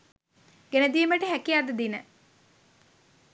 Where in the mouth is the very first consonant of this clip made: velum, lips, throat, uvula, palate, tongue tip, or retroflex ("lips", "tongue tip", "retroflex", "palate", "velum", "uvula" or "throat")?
velum